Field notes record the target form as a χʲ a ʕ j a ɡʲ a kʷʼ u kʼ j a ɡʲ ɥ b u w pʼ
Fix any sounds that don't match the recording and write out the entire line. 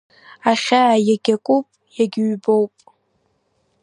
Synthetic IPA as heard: a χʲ a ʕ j a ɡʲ a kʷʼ u pʼ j a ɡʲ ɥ b o w pʼ